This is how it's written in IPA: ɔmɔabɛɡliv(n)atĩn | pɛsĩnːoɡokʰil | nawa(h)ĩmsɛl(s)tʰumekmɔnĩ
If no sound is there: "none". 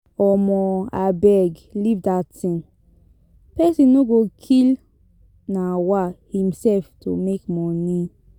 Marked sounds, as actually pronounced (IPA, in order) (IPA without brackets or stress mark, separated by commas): d, h, f